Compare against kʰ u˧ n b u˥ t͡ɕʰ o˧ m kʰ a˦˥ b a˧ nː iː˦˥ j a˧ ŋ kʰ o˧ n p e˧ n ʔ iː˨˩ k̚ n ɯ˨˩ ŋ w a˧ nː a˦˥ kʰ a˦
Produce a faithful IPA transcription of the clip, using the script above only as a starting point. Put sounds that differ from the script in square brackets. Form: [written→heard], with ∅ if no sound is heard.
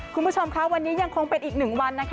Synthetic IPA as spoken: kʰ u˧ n b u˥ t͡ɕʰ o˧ m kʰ a˦˥ [b→w] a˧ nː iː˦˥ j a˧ ŋ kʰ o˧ [n→ŋ] p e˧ n ʔ iː˨˩ k̚ n ɯ˨˩ ŋ w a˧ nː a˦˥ kʰ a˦